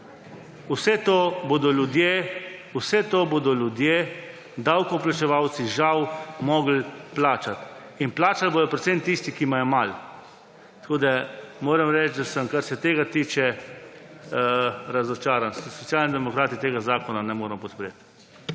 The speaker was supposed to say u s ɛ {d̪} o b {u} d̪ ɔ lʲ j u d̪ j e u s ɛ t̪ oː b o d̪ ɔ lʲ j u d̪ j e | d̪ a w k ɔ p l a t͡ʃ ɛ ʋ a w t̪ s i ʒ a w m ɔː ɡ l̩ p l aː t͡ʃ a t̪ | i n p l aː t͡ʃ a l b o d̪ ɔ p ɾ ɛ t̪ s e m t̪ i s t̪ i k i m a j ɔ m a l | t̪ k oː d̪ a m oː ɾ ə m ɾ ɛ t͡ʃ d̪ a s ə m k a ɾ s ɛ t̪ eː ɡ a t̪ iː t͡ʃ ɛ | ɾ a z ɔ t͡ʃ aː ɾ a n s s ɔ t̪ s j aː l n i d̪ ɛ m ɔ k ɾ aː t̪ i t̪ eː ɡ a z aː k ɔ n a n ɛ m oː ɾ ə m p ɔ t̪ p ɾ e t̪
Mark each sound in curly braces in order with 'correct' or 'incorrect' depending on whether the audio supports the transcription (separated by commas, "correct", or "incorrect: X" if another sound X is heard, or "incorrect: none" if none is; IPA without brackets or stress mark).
incorrect: t̪, incorrect: o